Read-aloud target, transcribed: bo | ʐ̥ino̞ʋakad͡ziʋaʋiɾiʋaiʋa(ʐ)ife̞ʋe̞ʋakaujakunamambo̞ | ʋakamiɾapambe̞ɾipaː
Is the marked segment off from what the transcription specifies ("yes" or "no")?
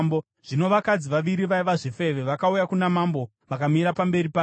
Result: no